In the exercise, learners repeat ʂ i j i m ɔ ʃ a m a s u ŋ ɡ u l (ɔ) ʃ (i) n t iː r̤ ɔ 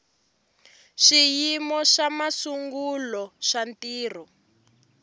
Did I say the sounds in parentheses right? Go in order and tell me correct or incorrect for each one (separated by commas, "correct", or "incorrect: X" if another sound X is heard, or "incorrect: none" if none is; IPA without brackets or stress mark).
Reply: correct, incorrect: a